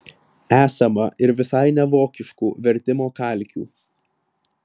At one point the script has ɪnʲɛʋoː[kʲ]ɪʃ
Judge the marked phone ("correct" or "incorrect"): correct